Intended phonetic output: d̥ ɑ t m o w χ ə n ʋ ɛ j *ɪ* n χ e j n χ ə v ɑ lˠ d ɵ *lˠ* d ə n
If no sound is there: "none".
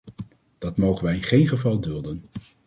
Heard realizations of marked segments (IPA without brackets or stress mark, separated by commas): ɪ, lˠ